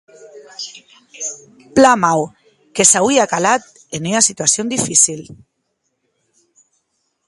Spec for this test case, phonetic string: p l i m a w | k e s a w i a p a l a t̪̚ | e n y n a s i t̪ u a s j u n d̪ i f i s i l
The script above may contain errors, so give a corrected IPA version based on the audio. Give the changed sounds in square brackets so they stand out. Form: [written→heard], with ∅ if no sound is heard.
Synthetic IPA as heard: p l [i→a] m a w | k e s a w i a [p→k] a l a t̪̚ | e n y n a s i t̪ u a s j [u→o] n d̪ i f i s i l